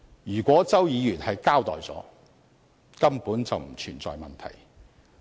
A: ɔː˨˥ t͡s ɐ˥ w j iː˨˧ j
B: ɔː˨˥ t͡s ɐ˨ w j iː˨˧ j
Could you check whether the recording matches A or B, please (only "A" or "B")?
A